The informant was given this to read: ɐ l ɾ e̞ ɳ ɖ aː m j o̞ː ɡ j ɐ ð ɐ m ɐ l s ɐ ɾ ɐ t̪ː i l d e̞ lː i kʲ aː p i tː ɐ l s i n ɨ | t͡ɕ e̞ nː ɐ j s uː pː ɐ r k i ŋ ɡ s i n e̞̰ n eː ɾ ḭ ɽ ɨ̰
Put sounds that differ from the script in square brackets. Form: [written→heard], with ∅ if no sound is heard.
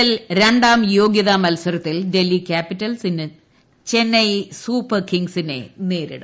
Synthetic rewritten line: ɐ l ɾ e̞ ɳ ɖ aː m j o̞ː ɡ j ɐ ð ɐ m ɐ l s ɐ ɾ ɐ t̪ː i l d e̞ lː i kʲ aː p i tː ɐ l s i n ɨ | t͡ɕ e̞ nː ɐ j s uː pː ɐ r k i ŋ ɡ s i n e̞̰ n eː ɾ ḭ ɽ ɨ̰